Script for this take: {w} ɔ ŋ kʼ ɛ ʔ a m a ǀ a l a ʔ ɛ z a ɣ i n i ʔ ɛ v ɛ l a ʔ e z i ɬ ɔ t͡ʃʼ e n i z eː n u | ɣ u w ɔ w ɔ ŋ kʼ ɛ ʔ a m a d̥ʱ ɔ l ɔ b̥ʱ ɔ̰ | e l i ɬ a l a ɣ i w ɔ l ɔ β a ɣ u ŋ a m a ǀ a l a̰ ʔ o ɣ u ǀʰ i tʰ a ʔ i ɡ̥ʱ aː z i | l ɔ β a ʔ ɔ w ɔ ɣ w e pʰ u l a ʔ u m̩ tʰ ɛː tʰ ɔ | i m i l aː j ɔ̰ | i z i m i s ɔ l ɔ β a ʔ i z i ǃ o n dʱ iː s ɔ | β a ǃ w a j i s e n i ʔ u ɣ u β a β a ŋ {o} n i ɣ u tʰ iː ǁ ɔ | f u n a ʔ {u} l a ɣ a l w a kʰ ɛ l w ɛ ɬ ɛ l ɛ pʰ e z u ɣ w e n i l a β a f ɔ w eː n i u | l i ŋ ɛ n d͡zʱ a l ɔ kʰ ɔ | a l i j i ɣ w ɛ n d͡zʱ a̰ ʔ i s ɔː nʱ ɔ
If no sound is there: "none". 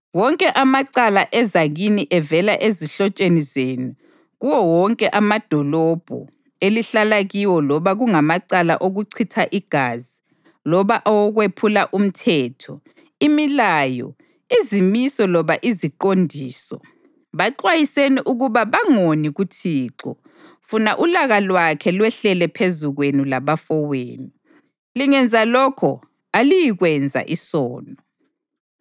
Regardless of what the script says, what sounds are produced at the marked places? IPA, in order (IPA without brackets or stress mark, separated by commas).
w, o, u